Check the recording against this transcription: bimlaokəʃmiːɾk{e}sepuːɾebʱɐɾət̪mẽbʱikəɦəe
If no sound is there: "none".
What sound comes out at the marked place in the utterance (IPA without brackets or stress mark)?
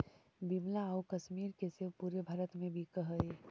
e